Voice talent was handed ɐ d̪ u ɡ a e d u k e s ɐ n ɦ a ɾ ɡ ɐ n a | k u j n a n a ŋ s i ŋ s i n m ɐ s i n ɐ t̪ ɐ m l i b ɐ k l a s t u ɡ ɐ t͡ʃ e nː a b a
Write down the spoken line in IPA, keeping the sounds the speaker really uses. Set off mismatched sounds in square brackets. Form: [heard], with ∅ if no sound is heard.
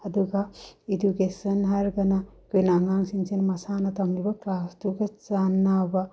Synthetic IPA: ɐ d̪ u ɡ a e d u k e s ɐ n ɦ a ɾ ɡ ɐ n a | k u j n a [ŋ] a ŋ s i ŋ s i n m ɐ s [a] n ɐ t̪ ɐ m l i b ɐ k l a s t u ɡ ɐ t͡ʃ [a] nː a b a